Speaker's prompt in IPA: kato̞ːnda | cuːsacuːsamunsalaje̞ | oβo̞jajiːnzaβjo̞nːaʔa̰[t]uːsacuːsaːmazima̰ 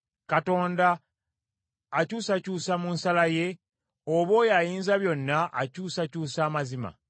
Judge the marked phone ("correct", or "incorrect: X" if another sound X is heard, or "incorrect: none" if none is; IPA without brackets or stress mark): incorrect: c